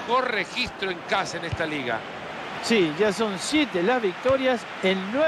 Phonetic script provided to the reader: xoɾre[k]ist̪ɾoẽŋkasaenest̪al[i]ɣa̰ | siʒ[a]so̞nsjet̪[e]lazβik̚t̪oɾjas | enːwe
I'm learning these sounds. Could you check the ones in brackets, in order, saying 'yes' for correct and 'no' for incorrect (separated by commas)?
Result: no, yes, yes, yes